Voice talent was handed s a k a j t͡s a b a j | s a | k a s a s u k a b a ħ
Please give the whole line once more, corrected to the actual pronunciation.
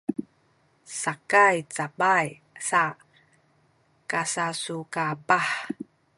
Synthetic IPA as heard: s a k a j t͡s a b a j | s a | k a s a s u k a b a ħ